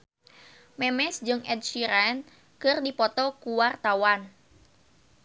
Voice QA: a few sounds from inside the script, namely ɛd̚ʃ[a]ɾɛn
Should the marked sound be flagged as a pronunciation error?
yes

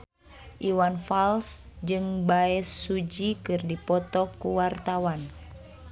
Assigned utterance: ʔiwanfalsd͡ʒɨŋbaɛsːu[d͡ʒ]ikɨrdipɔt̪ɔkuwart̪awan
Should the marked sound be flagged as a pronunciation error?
no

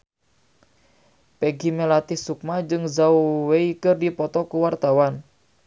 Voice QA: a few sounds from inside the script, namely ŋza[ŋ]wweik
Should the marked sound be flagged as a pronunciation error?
yes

